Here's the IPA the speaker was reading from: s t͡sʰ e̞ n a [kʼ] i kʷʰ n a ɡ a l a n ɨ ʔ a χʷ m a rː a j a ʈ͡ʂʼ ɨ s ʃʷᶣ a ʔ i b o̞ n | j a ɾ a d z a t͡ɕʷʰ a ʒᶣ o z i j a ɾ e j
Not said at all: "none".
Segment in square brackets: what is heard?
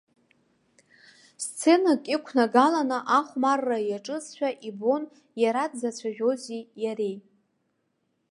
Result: kʼ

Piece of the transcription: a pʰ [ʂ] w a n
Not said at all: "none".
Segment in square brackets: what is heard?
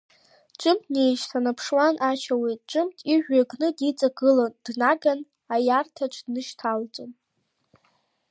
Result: ʂ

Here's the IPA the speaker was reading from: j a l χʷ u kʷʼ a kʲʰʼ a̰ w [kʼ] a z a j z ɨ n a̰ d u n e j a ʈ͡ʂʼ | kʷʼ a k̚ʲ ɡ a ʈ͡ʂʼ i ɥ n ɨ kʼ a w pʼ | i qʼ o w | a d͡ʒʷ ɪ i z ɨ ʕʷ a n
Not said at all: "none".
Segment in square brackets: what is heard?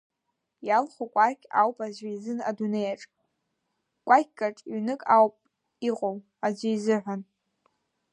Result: pʼ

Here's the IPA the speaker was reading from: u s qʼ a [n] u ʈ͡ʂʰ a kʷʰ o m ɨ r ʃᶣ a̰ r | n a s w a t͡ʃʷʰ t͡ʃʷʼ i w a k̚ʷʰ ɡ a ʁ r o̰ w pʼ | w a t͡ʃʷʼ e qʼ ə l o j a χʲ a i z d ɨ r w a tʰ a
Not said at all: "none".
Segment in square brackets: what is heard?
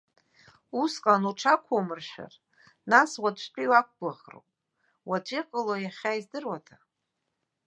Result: n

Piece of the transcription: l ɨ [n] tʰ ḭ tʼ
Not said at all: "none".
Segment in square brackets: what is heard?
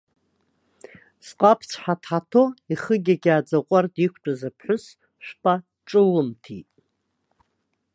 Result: m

